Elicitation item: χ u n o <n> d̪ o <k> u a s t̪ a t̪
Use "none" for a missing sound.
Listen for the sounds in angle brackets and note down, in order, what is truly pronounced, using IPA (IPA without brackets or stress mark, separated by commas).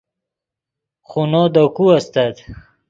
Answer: none, k